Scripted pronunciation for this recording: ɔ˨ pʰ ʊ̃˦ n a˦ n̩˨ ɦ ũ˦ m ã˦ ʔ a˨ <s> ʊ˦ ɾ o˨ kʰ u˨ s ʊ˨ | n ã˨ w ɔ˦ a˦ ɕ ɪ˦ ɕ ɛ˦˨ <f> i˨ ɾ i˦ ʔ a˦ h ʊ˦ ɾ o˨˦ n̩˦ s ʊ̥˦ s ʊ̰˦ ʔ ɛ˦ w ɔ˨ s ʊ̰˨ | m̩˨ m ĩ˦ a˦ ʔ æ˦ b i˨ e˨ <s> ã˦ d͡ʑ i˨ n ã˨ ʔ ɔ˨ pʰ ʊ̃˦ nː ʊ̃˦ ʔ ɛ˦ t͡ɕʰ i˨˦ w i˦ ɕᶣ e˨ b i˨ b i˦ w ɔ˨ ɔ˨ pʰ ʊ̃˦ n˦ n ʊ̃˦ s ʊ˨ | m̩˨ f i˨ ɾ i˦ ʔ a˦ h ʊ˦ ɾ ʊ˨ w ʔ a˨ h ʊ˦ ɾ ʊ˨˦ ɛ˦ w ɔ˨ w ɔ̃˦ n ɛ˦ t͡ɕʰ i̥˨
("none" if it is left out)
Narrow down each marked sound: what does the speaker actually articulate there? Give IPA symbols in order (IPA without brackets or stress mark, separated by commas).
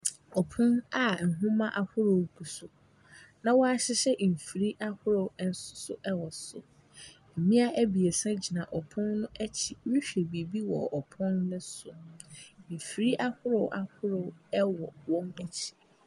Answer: h, f, s